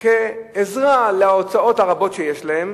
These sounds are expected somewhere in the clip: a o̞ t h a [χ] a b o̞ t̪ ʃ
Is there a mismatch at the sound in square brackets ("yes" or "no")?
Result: yes